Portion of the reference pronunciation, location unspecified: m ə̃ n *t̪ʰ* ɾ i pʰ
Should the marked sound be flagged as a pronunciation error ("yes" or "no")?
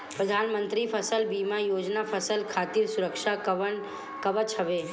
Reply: yes